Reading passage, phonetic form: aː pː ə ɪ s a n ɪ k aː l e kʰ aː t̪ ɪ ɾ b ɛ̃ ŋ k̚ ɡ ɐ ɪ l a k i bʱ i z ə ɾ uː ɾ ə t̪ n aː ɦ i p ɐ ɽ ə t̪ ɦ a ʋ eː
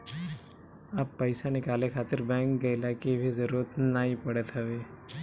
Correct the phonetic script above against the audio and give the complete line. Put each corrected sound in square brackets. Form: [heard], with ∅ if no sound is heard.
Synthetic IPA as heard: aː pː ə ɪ s a n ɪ k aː l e kʰ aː t̪ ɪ ɾ b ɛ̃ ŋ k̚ ɡ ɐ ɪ l a k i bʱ i z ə ɾ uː ɾ ə t̪ n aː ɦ i p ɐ ɽ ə t̪ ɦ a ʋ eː